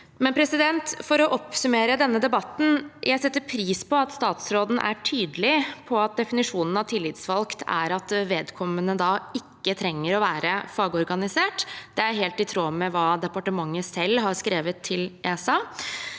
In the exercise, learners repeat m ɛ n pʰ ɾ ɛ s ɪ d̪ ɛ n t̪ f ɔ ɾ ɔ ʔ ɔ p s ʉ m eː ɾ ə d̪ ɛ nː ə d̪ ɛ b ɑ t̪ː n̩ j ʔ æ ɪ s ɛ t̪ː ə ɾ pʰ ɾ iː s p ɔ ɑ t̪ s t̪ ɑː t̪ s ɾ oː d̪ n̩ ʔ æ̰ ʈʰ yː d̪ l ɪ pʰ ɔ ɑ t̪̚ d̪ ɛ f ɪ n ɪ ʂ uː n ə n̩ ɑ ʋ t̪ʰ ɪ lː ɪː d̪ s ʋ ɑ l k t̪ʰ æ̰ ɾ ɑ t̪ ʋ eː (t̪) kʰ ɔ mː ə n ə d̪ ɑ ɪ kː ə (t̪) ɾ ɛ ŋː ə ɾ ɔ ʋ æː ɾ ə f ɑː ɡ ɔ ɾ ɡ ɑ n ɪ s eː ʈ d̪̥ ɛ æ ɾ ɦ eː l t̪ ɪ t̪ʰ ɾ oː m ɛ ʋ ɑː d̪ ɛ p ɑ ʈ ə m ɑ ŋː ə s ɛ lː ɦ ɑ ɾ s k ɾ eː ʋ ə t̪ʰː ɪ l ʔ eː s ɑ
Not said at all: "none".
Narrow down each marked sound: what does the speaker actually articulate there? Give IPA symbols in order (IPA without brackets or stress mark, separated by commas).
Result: d̪, t̪ʰ